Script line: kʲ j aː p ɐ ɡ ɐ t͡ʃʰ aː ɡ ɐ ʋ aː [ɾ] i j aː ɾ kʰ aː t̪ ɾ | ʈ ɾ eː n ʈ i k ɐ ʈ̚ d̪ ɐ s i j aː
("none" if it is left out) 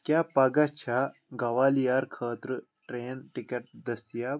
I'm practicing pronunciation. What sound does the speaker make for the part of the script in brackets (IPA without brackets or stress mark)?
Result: l